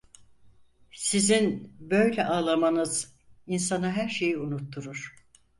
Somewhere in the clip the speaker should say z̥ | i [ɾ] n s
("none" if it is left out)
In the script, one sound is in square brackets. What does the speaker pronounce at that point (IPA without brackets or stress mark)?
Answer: none